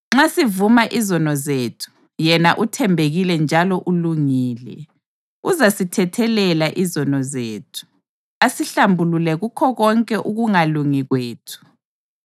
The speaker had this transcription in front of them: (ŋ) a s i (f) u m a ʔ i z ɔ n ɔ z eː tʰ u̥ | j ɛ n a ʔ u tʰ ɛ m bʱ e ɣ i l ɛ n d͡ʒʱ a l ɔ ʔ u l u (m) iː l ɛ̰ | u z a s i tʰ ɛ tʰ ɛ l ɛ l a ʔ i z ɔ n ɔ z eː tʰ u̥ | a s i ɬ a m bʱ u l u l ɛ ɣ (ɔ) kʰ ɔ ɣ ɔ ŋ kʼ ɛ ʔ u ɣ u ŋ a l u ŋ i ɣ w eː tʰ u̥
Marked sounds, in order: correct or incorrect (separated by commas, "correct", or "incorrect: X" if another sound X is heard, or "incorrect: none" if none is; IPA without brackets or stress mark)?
incorrect: ŋ͡ǁ, incorrect: v, incorrect: ŋ, incorrect: u